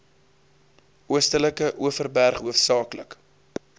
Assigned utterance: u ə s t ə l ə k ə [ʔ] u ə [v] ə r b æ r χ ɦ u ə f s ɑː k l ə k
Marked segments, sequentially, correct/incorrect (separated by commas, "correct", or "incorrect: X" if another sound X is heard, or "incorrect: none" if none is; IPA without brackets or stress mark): correct, incorrect: f